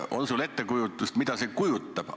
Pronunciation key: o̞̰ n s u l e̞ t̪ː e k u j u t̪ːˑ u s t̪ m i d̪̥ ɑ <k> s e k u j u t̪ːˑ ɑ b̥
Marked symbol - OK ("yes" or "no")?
no